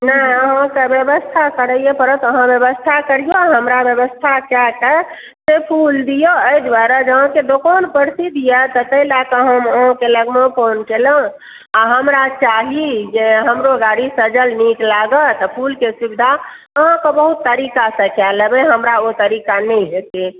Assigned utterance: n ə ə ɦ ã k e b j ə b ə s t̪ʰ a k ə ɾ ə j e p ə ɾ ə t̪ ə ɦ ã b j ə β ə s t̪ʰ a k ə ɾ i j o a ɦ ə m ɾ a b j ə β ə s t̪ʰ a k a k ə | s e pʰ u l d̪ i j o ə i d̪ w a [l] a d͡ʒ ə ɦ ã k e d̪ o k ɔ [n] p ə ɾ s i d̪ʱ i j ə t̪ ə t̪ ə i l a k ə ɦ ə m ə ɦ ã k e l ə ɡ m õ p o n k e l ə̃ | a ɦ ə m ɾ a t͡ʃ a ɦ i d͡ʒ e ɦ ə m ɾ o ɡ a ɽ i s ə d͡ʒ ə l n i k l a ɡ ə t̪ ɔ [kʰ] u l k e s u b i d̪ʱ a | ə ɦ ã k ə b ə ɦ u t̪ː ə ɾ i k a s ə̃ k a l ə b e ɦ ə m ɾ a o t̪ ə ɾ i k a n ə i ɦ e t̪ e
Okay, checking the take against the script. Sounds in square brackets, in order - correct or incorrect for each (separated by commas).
incorrect, correct, incorrect